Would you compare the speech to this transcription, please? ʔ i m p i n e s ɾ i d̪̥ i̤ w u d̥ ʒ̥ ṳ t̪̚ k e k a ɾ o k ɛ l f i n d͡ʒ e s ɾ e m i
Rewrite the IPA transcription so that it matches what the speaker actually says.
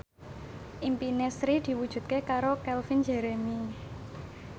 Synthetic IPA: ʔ i m p i n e s ɾ i d̪̥ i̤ w u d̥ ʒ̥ ṳ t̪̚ k e k a ɾ o k ɛ l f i n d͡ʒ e ɾ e m i